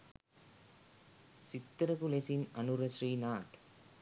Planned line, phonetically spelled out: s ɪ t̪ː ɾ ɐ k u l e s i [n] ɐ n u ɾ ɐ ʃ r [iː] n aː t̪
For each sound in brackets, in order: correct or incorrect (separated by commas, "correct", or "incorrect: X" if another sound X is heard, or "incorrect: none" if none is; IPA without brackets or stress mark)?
correct, correct